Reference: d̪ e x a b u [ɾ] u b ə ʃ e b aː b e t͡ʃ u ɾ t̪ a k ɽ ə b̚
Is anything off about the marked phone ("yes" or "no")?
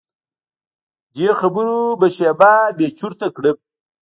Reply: no